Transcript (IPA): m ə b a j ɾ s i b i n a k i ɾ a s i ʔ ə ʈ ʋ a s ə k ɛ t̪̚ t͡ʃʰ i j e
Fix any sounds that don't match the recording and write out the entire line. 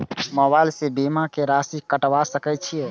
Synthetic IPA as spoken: m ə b a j l s e b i m a k e ɾ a s i k ə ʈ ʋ a s ə k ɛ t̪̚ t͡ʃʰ i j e